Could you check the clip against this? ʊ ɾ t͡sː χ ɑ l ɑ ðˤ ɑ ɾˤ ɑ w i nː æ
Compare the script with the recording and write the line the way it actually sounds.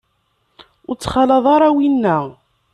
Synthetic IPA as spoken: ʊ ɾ t͡sː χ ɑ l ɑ ðˤ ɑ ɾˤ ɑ w i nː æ